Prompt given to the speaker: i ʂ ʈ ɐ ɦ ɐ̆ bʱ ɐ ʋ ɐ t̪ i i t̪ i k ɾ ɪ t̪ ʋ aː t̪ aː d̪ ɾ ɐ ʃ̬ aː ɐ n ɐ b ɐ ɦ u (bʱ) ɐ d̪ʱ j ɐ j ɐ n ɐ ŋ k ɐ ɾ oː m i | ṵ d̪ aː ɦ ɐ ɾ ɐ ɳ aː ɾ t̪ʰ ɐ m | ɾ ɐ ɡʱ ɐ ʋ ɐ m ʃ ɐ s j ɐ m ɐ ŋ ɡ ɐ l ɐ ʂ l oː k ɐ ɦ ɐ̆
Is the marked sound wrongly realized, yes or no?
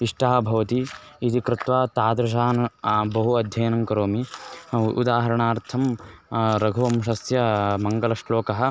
yes